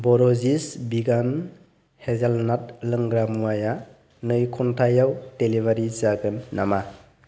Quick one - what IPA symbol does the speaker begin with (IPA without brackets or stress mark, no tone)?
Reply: b